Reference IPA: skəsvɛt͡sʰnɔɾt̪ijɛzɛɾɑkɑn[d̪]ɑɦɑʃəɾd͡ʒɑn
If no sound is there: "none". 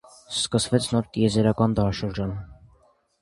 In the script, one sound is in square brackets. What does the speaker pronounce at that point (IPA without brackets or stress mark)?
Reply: d̪